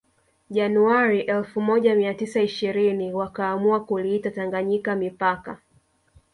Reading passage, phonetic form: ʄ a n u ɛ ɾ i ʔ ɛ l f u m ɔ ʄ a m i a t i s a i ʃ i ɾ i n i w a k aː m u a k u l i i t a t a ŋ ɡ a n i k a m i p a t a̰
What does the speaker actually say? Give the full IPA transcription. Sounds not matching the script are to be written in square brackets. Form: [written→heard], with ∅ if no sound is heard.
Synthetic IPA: ʄ a n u [ɛ→a] ɾ i ʔ ɛ l f u m ɔ ʄ a m i a t i s a i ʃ i ɾ i n i w a k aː m u a k u l i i t a t a ŋ ɡ a [n→ɲ] i k a m i p a [t→k] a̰